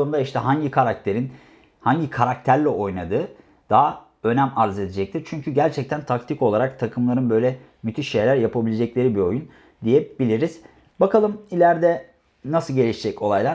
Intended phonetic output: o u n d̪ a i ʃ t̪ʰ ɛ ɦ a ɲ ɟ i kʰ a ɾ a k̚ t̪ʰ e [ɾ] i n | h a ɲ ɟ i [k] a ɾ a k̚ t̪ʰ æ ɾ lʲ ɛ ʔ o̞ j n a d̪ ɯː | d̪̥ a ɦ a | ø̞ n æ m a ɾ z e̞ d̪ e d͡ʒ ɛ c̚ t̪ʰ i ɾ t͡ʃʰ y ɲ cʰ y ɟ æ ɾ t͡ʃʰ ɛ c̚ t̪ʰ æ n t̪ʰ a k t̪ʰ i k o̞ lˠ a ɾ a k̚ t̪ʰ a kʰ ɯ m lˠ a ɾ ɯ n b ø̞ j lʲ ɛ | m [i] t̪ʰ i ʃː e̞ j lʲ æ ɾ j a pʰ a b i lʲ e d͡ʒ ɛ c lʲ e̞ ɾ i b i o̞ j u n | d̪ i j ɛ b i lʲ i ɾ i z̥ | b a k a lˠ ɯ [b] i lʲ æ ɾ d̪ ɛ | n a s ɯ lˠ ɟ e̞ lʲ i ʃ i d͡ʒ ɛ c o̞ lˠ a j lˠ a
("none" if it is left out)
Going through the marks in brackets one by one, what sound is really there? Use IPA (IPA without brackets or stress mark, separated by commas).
ɾ, kʰ, y, m